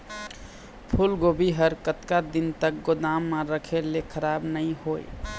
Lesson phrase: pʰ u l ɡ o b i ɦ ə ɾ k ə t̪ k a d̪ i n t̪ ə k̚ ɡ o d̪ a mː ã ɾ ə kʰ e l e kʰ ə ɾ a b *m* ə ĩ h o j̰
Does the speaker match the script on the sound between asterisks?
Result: no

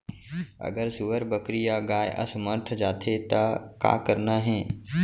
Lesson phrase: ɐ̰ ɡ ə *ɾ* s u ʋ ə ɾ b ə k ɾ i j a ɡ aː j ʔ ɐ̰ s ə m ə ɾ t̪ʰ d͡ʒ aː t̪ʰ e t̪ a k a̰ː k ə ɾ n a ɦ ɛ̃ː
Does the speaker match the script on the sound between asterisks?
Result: yes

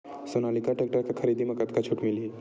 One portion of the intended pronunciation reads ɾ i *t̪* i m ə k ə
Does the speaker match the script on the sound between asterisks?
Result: no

